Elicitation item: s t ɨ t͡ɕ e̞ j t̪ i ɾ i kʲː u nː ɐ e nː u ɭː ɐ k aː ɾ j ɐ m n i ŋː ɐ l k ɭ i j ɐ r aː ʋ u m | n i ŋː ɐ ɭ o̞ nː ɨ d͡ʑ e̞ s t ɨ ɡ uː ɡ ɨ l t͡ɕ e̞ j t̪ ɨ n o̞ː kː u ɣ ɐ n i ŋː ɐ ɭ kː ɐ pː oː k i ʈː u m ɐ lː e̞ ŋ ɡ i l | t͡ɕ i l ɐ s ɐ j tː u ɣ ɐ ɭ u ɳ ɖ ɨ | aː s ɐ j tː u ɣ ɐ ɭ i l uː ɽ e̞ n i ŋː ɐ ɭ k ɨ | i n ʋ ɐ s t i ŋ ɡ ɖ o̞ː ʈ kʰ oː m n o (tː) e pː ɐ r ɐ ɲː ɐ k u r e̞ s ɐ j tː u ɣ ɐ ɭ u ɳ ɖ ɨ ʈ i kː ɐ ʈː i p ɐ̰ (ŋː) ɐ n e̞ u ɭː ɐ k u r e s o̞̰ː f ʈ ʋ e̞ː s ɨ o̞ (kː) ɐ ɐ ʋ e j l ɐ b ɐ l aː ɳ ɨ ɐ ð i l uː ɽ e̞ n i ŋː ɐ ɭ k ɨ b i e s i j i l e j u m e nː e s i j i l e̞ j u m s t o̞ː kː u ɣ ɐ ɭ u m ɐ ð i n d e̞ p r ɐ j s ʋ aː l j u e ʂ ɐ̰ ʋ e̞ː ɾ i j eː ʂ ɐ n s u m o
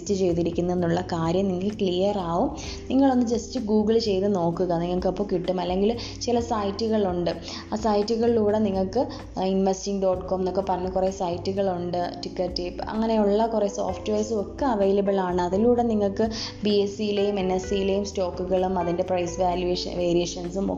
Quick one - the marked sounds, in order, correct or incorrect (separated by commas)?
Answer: incorrect, correct, correct